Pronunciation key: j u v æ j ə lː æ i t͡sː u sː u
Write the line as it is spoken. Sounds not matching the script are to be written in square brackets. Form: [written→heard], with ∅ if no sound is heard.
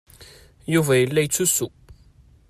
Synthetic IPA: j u v æ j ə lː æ [i→j] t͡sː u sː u